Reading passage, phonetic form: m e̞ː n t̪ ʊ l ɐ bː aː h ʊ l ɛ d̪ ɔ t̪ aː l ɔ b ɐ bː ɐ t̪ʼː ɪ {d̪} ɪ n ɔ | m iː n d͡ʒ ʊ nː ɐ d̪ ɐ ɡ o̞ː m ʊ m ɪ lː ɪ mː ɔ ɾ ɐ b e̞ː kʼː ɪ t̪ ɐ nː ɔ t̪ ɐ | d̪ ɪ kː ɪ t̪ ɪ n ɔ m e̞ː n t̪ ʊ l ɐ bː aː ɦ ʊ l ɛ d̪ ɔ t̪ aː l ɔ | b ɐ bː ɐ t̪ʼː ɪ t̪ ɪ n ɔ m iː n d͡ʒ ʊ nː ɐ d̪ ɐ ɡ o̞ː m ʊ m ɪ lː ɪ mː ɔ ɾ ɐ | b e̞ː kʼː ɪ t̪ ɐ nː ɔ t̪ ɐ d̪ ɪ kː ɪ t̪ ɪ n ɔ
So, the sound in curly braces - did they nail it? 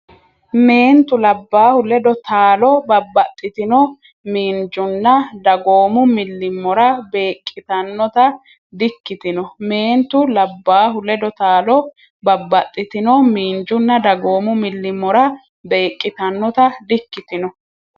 no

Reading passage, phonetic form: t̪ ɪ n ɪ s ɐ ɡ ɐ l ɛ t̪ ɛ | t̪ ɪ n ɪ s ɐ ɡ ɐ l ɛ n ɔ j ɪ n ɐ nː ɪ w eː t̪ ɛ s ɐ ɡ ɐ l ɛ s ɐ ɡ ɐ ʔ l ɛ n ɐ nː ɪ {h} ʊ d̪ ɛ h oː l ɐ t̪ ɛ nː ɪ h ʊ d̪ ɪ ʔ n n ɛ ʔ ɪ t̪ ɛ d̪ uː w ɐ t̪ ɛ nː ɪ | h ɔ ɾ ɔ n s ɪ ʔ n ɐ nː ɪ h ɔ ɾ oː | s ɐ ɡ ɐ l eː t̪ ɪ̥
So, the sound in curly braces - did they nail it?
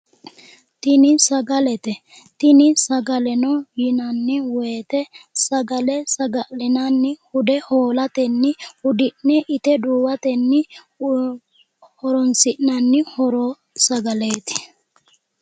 yes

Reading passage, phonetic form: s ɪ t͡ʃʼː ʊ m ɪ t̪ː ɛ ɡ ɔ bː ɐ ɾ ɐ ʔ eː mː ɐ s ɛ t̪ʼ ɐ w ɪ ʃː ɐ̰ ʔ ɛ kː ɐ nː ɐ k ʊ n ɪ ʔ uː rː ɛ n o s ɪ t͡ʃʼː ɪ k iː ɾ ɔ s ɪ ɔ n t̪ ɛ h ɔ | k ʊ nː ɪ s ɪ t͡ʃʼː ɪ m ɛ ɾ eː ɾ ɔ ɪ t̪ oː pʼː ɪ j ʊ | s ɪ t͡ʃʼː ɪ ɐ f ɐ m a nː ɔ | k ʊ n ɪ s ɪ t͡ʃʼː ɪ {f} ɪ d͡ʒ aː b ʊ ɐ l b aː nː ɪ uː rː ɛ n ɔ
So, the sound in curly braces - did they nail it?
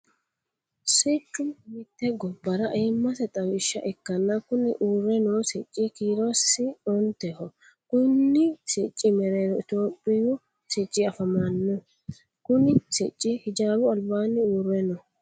no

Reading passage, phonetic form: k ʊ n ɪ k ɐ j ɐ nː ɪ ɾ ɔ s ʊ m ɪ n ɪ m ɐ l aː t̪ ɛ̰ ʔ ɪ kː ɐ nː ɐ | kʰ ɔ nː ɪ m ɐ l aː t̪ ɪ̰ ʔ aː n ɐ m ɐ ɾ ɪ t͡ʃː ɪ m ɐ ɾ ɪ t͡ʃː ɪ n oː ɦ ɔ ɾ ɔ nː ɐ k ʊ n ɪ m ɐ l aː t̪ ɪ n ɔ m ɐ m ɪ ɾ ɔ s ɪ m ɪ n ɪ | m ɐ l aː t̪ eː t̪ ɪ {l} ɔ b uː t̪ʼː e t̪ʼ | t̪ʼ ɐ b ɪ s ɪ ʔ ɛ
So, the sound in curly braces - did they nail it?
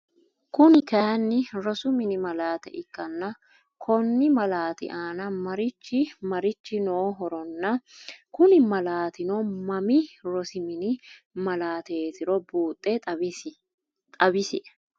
no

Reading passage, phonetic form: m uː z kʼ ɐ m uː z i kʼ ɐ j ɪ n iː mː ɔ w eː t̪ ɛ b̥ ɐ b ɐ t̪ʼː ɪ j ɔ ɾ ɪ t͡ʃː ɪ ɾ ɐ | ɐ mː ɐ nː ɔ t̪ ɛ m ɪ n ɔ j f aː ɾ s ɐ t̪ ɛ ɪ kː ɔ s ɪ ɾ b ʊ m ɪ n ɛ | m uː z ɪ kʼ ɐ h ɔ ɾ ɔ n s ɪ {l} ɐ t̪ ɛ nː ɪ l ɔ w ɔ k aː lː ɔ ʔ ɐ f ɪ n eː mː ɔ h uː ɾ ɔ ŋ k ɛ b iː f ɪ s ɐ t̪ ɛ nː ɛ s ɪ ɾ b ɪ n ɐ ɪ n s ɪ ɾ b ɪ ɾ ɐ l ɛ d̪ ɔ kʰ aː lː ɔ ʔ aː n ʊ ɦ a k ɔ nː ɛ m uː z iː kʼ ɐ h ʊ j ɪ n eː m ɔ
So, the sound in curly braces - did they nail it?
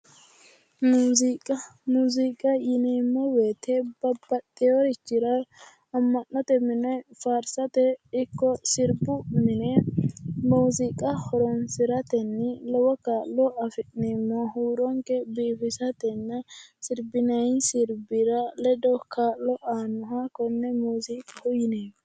no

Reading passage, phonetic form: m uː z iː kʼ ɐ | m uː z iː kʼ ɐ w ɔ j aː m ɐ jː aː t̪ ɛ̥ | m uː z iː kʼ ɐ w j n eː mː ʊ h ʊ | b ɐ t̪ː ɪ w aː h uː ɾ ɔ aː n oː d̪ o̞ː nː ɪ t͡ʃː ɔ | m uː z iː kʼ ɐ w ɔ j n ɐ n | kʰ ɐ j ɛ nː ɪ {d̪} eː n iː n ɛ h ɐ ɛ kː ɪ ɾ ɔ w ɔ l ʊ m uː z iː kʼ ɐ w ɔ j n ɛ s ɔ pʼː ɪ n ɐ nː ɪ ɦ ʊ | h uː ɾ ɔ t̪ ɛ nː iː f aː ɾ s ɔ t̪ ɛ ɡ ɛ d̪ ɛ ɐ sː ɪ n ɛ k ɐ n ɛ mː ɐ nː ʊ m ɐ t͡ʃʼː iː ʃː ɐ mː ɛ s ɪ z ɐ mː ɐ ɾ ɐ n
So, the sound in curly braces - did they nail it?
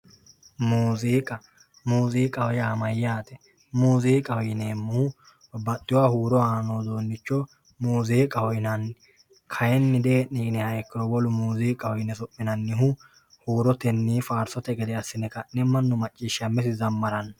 yes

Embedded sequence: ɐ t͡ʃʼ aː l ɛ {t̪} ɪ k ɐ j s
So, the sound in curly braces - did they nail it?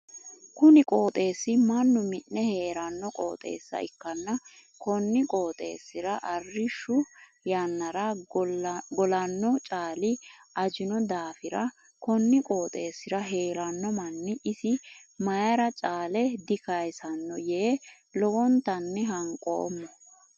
no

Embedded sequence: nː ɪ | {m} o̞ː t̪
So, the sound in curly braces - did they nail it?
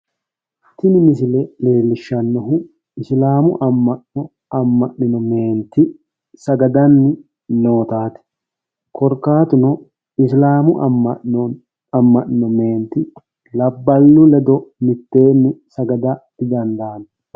no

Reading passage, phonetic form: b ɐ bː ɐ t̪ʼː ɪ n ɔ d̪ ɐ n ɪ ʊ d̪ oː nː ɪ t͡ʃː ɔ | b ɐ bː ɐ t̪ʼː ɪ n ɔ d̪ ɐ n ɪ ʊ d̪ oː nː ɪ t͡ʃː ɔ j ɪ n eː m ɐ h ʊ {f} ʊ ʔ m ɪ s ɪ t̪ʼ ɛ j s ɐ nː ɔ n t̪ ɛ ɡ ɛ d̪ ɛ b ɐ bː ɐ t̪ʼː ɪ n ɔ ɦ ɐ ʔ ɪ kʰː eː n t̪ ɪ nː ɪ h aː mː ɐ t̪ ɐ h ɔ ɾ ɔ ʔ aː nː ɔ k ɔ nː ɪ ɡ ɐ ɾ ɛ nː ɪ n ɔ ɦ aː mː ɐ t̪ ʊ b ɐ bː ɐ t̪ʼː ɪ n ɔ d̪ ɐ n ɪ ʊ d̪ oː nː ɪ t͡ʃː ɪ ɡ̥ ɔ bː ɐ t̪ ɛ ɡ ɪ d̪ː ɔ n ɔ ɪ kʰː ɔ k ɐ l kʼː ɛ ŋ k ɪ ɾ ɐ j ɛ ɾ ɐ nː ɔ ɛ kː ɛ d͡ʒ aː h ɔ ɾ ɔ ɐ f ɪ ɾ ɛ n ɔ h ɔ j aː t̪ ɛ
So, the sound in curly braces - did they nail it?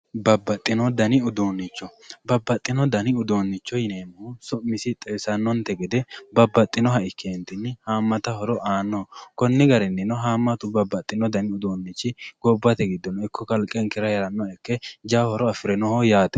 no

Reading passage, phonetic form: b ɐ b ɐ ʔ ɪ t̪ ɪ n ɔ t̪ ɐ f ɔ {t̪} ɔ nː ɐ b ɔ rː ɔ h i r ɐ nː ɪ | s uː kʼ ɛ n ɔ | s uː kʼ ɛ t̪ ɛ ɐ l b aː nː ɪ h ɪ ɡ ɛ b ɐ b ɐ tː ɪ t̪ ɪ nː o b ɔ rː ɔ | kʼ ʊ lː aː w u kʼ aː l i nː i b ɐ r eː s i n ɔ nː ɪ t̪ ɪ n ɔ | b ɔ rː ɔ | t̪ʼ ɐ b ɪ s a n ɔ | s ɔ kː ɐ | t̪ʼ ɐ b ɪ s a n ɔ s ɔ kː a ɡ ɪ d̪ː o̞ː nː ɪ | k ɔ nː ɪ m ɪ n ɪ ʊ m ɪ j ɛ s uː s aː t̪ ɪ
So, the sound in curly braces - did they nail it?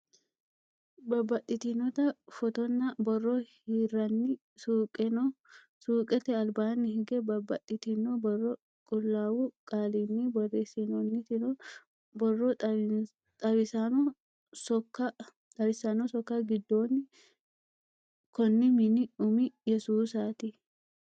yes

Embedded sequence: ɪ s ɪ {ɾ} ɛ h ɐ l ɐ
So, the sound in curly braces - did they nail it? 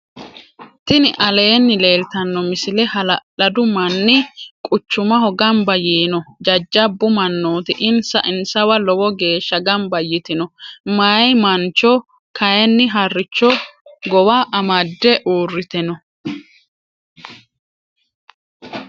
no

